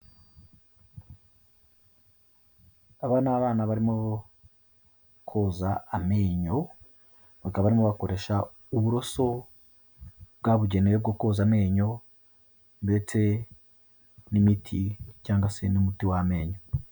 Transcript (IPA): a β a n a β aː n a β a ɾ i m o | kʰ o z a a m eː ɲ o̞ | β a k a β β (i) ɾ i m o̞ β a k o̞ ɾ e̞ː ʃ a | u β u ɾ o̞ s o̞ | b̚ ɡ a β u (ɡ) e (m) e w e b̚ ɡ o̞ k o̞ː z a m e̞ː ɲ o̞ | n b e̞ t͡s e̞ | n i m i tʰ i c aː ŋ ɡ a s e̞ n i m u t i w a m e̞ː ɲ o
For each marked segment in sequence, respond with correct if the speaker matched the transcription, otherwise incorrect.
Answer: incorrect: a, incorrect: ɟ, incorrect: n

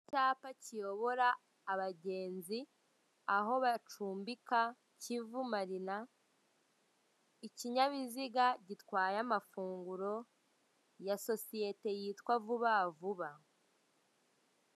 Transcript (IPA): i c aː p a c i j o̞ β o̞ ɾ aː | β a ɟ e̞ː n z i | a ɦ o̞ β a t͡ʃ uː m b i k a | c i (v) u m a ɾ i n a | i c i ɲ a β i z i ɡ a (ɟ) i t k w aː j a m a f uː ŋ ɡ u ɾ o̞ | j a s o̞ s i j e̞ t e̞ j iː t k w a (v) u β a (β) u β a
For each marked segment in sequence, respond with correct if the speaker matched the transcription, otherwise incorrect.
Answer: correct, correct, correct, incorrect: v

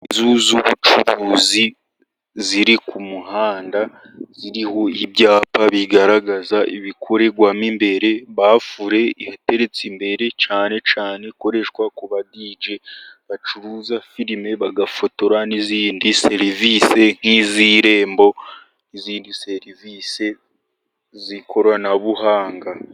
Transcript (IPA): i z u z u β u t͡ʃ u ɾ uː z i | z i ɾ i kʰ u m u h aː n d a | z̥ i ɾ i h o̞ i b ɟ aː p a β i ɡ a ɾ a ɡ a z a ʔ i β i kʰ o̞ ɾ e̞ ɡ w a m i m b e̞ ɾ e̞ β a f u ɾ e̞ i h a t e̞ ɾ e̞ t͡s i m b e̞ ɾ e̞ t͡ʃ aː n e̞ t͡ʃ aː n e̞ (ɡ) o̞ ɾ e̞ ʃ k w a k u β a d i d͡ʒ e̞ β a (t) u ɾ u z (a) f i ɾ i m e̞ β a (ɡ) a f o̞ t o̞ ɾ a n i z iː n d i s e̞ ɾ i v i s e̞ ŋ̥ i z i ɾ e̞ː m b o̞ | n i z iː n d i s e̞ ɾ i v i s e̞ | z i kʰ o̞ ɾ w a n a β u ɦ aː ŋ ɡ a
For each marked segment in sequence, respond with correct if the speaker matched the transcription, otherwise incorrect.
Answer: incorrect: k, incorrect: t͡ʃ, correct, correct

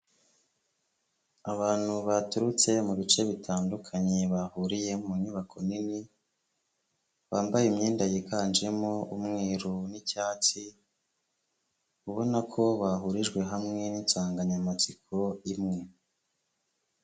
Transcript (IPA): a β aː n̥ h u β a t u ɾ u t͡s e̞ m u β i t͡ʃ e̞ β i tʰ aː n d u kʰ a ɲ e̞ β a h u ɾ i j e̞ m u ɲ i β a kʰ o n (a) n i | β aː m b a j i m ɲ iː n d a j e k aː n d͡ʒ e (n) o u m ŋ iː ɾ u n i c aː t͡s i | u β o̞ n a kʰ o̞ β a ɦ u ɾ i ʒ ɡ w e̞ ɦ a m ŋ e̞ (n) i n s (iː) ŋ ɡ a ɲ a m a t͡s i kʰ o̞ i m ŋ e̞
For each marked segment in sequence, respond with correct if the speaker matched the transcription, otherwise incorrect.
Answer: incorrect: i, incorrect: m, correct, incorrect: aː

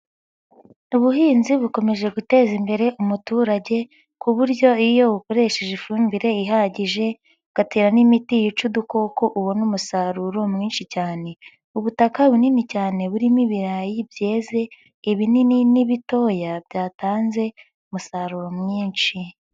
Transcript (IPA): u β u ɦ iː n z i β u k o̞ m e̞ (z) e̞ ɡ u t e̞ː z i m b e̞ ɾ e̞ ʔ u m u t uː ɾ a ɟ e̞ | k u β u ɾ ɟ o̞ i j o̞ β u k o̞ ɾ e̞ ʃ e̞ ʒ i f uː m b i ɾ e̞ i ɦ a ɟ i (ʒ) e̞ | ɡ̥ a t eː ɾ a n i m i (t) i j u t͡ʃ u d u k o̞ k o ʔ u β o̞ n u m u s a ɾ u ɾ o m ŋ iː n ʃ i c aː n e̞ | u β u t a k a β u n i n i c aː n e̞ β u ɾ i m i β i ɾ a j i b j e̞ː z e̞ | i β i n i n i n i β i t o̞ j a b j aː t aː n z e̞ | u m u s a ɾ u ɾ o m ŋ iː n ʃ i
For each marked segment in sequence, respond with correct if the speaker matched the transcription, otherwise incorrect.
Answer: incorrect: ʒ, correct, correct

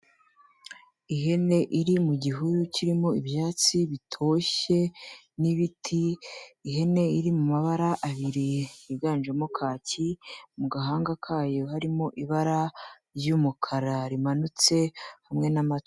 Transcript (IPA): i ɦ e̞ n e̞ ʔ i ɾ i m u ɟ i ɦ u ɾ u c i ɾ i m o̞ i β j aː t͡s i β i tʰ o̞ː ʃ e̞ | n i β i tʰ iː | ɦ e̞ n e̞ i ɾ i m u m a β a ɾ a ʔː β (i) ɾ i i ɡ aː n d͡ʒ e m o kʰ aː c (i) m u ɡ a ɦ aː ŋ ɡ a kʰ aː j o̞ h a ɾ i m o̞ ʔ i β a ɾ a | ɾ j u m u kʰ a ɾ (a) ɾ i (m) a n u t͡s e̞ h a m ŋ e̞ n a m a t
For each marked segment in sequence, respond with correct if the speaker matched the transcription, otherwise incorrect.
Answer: correct, correct, correct, correct

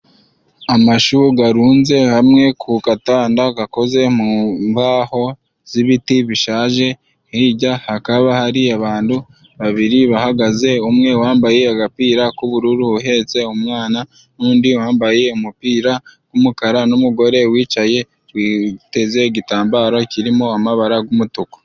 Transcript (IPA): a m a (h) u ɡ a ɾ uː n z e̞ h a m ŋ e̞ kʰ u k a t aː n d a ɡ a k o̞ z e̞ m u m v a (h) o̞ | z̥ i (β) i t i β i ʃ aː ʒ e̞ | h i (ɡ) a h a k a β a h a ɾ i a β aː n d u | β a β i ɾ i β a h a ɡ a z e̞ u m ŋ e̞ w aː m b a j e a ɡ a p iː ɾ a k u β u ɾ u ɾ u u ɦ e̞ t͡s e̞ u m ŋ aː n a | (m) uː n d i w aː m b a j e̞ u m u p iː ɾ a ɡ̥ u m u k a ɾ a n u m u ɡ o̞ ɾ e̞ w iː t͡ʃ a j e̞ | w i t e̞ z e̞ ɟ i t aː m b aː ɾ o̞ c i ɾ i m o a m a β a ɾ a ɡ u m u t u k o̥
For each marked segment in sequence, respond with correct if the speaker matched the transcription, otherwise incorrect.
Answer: incorrect: ʃ, correct, correct, incorrect: ɟ, incorrect: n

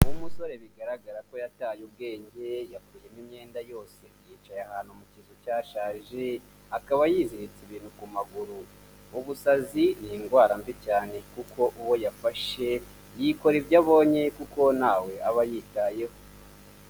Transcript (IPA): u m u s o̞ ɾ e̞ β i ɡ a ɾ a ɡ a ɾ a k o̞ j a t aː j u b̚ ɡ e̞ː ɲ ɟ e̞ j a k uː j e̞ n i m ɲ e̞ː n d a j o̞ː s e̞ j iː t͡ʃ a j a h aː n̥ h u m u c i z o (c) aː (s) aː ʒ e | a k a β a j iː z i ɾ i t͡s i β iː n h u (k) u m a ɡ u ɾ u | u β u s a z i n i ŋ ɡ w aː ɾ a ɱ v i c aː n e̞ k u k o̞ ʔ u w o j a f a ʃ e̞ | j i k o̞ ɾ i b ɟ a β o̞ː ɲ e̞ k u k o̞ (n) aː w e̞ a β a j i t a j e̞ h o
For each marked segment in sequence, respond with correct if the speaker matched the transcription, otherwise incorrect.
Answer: correct, incorrect: ʃ, correct, correct

